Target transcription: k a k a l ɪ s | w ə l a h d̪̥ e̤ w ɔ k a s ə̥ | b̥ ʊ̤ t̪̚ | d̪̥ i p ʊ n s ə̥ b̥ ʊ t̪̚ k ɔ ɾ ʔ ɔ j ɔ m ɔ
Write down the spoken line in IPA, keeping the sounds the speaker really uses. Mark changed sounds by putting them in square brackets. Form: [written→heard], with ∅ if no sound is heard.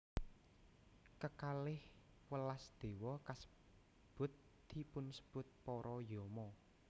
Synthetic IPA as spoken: k [a→ə] k a l ɪ [s→h] | w ə l a [h→s] d̪̥ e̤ w ɔ k a s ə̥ | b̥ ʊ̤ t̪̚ | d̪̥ i p ʊ n s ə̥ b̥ ʊ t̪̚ [k→p] ɔ ɾ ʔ ɔ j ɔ m ɔ